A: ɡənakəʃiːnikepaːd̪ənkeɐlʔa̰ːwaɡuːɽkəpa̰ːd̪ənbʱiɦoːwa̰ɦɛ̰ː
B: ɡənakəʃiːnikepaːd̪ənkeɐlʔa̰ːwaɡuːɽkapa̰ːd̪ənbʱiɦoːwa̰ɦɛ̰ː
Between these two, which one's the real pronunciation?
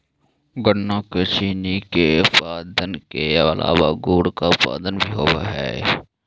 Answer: B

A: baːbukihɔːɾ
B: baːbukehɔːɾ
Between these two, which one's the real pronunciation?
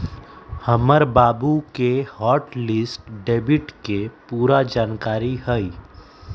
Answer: B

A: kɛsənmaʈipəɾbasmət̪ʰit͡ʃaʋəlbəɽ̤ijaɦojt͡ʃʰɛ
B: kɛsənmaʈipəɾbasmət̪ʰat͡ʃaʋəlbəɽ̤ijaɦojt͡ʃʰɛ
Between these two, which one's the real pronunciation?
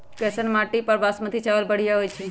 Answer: A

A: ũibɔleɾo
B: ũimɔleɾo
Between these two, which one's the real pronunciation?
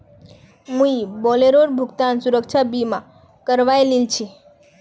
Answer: A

